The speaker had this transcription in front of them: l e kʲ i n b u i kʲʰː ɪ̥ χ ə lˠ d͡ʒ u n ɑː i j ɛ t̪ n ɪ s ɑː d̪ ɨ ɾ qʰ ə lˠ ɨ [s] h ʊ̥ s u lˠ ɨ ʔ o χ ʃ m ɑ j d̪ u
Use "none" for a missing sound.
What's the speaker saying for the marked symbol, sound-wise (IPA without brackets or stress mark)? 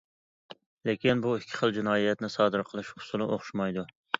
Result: ʃ